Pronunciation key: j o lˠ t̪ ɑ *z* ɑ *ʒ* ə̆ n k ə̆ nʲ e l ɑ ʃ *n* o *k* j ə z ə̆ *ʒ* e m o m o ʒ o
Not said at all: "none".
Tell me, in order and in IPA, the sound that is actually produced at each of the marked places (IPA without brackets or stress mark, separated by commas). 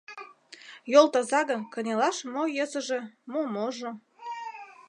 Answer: z, ɣ, m, none, ʒ